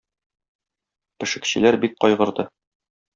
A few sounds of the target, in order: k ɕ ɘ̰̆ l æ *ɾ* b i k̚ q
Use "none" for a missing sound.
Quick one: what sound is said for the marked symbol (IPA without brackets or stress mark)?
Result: ɾ